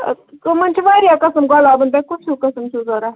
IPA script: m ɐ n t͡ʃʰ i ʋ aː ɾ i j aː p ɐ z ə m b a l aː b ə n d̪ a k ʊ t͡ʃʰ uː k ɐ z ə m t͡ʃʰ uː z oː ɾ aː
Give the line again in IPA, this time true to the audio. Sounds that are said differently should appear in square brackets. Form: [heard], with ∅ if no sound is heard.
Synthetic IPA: m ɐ n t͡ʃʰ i ʋ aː ɾ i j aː [k] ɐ [s] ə m [ɡ] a l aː b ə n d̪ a k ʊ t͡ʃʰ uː k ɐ [s] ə m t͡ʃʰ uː z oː ɾ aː